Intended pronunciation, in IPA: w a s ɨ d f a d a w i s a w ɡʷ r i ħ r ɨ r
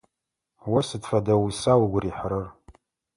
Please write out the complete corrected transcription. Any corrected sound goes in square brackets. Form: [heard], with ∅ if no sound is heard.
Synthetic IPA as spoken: w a s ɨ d f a d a w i s a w ɡʷ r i ħ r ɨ r